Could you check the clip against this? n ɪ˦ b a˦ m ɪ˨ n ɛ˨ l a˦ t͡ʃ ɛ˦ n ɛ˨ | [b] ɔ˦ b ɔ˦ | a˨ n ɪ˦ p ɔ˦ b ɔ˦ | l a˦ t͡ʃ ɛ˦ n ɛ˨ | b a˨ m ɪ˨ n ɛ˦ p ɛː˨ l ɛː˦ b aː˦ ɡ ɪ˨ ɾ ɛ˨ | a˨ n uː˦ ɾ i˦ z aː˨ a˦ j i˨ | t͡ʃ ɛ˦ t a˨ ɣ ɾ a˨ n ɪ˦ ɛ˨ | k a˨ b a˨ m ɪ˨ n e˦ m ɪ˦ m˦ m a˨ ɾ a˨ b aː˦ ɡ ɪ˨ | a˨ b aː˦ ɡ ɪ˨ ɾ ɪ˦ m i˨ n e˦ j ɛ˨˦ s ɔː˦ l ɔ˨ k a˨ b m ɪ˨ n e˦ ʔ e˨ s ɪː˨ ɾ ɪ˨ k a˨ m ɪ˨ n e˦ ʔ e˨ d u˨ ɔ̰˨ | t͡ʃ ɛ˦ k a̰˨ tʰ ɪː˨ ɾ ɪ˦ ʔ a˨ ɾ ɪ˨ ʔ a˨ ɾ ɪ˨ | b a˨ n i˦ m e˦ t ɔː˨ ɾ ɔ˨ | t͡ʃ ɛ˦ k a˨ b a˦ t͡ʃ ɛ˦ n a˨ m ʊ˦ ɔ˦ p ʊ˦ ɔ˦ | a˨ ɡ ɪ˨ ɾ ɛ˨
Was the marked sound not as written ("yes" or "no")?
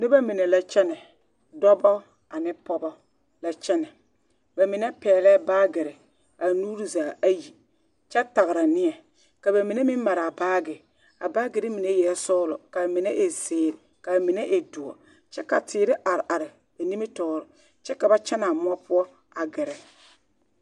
yes